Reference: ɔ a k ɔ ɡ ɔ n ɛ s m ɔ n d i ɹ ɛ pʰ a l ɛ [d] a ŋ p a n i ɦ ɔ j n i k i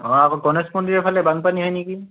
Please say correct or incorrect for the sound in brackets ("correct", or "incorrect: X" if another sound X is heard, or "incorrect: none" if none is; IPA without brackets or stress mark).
incorrect: b